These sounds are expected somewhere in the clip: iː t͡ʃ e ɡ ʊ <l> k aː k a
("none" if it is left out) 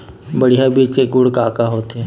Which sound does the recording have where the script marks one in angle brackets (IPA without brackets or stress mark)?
ɽ